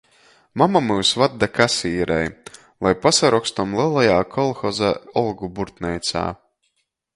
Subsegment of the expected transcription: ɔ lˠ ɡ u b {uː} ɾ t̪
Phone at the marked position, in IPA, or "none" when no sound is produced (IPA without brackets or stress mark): u